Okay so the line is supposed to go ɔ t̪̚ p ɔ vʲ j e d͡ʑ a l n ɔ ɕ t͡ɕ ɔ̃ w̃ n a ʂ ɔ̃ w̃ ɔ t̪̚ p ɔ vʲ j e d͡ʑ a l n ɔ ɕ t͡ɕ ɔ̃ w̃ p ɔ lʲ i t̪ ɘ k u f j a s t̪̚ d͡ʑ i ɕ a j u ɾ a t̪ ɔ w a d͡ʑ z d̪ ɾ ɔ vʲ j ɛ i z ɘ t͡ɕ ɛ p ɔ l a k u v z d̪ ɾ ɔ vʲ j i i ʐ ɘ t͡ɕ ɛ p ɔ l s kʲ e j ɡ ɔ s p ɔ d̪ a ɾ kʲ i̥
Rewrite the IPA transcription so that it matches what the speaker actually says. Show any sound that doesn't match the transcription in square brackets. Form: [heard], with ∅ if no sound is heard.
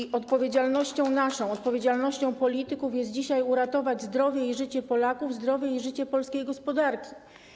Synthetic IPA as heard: ɔ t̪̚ p ɔ vʲ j e d͡ʑ a l n ɔ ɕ t͡ɕ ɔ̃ w̃ n a ʂ ɔ̃ w̃ ɔ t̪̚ p ɔ vʲ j e d͡ʑ a l n ɔ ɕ t͡ɕ ɔ̃ w̃ p ɔ lʲ i t̪ ɘ k u f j [ɛ] s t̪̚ d͡ʑ i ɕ a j u ɾ a t̪ ɔ [v] a d͡ʑ z d̪ ɾ ɔ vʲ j ɛ i [ʐ] ɘ t͡ɕ ɛ p ɔ l a k u v z d̪ ɾ ɔ vʲ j [ɛ] i ʐ ɘ t͡ɕ ɛ p ɔ l s kʲ e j ɡ ɔ s p ɔ d̪ a ɾ kʲ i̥